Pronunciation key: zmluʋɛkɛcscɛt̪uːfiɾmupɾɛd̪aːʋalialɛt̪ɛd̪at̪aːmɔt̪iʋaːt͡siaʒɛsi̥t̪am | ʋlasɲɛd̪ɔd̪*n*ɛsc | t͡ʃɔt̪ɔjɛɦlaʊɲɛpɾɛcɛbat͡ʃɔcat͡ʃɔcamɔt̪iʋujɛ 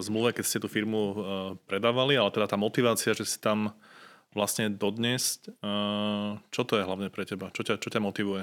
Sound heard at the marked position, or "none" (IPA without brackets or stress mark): ɲ